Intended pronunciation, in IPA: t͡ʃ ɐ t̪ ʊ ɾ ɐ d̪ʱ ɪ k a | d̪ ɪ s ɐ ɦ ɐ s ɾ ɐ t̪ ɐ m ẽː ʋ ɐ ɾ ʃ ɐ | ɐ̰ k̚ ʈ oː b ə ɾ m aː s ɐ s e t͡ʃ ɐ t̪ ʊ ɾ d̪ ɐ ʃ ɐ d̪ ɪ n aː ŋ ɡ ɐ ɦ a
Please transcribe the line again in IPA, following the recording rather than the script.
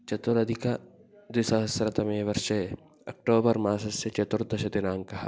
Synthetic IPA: t͡ʃ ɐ t̪ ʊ ɾ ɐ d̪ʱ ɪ k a | d̪ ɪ s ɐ ɦ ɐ s ɾ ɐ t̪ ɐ m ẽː ʋ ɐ ɾ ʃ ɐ | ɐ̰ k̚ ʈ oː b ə ɾ m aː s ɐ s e t͡ʃ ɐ t̪ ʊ ɾ d̪ ɐ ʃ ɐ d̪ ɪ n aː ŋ k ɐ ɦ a